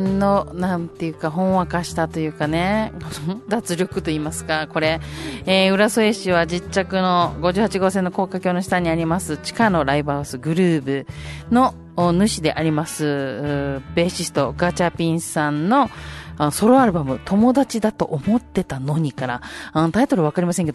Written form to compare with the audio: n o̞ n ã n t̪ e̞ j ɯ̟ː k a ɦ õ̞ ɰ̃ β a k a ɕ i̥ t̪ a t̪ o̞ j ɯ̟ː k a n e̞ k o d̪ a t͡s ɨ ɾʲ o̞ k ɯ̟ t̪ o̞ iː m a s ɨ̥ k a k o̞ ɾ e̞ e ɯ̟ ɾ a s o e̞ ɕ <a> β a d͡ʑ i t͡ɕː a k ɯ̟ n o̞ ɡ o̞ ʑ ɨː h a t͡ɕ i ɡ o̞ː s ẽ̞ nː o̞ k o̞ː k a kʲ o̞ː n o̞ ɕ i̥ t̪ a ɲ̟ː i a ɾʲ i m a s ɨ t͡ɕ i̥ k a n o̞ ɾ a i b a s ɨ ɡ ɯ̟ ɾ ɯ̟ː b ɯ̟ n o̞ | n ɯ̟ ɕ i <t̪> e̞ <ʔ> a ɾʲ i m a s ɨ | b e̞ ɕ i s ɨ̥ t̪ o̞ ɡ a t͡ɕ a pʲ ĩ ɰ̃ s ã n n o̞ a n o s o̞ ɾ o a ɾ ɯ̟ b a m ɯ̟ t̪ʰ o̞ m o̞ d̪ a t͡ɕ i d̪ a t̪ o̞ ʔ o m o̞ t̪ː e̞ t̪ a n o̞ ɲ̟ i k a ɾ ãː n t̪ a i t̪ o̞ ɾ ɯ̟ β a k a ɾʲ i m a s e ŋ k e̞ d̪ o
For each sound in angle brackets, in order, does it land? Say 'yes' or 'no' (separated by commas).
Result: no, no, yes